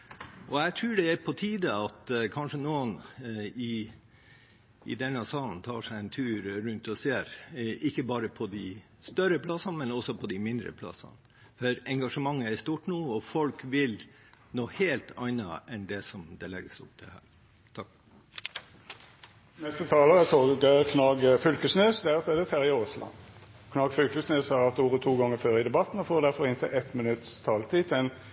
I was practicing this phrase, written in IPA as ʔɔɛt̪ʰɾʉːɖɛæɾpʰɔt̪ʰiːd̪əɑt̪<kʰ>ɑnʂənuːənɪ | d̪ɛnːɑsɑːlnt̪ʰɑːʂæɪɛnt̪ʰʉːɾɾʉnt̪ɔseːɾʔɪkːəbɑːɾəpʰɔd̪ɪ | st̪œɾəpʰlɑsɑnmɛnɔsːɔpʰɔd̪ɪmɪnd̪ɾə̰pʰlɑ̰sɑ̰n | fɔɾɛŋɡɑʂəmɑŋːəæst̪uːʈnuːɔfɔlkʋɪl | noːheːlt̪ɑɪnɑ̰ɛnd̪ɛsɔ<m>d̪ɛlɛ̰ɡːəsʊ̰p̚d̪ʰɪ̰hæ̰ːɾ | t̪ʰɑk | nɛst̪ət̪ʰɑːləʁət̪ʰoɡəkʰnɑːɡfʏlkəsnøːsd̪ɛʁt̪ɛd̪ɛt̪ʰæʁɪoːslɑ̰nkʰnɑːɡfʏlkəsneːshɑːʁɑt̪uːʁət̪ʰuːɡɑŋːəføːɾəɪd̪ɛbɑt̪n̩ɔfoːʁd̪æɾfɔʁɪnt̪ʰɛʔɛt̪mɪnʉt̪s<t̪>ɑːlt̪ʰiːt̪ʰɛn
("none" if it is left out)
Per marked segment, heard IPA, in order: kʰ, m, t̪ʰ

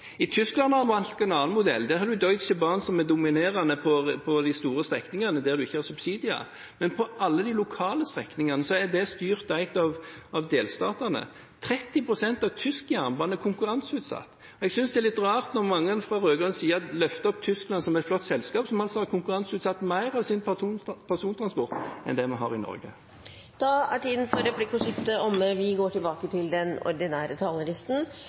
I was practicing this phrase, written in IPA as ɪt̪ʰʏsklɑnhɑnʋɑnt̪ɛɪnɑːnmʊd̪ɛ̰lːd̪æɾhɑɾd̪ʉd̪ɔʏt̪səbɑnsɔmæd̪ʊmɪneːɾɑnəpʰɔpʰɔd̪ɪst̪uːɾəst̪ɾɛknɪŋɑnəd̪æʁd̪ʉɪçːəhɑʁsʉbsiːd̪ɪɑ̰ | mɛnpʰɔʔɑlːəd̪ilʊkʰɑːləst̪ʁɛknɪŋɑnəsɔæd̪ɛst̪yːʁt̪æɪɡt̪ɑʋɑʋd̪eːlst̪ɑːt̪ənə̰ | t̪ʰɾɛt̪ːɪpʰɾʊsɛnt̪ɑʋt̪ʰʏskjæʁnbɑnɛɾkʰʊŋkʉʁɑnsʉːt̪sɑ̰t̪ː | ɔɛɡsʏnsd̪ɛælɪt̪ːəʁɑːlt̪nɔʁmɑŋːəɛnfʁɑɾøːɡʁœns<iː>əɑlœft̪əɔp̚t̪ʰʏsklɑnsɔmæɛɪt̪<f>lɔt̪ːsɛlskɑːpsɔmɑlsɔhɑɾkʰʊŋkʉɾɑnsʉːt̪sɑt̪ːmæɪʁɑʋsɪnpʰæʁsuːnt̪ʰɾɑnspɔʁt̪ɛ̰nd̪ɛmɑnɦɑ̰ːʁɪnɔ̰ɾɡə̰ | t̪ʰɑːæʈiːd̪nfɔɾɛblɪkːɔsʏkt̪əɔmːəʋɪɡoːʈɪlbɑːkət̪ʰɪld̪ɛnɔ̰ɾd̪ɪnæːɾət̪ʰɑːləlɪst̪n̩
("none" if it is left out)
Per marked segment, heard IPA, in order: iː, f

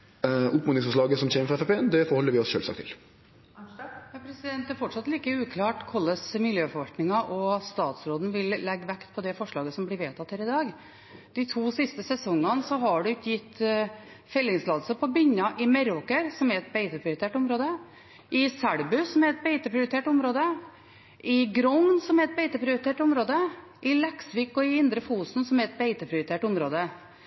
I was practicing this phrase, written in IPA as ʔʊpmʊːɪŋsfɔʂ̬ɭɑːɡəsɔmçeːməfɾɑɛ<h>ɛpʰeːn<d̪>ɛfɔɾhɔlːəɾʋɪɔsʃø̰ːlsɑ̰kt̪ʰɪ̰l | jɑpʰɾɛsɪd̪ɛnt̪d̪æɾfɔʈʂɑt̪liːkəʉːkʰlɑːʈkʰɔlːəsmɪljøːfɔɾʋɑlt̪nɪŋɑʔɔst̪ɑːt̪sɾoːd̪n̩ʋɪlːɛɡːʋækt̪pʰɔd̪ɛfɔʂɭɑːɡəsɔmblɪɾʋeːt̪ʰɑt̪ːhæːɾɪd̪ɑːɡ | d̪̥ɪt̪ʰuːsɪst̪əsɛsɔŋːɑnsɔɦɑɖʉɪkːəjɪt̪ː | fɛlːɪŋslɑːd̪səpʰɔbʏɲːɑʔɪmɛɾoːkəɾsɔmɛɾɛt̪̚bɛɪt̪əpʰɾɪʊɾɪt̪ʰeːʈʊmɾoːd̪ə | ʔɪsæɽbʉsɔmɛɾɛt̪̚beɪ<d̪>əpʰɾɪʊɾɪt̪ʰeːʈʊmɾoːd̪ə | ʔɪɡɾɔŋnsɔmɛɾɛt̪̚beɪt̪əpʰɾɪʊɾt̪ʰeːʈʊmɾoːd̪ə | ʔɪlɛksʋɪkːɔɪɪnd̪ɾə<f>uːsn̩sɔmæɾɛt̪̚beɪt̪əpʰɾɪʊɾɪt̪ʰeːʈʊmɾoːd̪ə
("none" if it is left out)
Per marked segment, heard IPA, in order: f, d̪, t̪, f

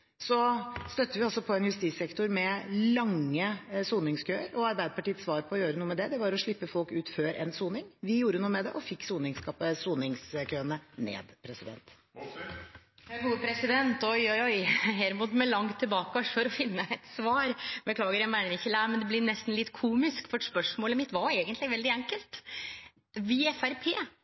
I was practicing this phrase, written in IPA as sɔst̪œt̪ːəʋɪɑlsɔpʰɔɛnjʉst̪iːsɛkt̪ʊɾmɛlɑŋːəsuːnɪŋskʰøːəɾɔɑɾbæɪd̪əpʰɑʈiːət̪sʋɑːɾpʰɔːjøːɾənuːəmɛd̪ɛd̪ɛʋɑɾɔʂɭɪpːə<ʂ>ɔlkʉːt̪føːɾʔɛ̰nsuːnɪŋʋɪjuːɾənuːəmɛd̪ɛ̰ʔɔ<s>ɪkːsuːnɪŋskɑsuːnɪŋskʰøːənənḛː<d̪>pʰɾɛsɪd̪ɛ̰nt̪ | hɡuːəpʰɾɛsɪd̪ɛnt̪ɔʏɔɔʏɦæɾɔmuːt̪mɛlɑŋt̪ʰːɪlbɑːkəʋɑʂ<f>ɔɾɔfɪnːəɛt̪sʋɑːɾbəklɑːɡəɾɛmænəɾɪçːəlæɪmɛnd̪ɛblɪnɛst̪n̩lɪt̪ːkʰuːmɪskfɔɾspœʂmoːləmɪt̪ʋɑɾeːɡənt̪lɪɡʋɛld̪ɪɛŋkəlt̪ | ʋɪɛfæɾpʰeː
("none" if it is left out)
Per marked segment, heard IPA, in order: f, f, d̪, f

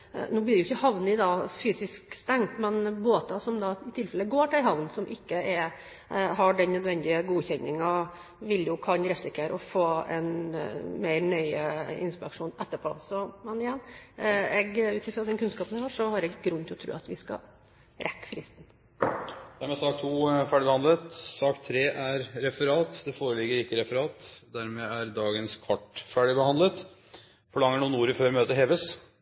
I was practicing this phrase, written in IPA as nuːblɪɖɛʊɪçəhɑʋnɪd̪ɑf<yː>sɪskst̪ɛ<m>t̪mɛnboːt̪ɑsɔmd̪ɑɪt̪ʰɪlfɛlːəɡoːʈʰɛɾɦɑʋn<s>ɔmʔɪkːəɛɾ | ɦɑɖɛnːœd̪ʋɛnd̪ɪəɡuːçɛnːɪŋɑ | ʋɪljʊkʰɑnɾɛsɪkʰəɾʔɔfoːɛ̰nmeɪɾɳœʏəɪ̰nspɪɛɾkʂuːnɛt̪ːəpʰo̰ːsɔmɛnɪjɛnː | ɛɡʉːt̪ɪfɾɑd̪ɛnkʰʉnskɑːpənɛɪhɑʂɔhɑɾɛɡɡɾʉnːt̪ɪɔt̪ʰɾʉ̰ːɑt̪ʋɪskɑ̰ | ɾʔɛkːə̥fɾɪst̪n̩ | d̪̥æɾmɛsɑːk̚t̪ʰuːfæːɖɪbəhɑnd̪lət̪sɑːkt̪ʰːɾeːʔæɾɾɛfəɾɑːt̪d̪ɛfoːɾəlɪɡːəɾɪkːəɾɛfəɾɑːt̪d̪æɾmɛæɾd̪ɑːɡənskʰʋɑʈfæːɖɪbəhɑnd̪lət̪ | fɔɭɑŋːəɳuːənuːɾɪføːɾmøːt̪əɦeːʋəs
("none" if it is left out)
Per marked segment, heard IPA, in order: yː, ŋ, s

